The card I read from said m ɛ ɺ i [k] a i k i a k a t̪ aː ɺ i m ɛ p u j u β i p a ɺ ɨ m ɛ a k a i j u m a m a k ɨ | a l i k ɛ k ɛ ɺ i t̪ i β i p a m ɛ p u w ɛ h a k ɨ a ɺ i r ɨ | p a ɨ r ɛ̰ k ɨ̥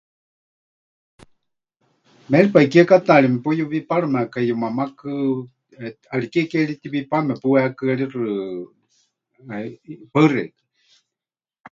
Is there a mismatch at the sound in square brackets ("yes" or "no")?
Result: yes